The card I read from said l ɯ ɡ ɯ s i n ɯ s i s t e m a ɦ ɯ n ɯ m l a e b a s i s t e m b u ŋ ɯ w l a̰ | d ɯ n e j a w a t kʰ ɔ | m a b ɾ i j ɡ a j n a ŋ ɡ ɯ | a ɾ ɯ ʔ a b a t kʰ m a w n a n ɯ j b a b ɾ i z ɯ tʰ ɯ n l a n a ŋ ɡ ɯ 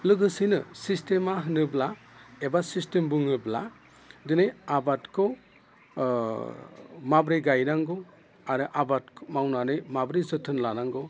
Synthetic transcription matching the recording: l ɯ ɡ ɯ s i n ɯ s i s t e m a ɦ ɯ n ɯ b l a e b a s i s t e m b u ŋ ɯ b l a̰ | d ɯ n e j a b a t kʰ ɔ | m a b ɾ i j ɡ a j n a ŋ ɡ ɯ | a ɾ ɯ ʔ a b a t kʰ m a w n a n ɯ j m a b ɾ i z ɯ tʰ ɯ n l a n a ŋ ɡ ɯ